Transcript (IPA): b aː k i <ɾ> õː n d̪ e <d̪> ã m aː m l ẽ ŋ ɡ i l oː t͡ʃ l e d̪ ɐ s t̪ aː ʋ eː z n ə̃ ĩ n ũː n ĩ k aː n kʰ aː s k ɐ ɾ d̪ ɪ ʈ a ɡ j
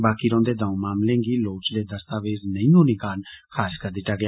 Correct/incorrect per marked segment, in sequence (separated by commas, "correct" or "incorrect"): correct, correct